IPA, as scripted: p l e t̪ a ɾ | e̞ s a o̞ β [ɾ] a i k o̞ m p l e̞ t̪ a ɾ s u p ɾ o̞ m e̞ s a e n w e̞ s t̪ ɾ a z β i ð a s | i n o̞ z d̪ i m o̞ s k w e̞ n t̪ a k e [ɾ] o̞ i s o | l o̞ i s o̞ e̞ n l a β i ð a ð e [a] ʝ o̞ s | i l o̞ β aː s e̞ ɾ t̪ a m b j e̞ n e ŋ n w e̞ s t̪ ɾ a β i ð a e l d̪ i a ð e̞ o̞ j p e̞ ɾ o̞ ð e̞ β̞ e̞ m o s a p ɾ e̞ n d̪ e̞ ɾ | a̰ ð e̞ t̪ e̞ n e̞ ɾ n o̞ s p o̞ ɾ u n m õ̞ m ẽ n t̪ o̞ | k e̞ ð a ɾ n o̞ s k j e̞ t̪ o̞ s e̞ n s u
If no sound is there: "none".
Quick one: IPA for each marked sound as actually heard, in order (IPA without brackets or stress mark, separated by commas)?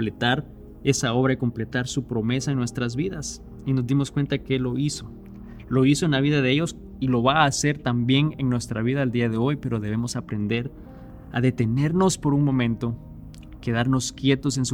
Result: ɾ, l, e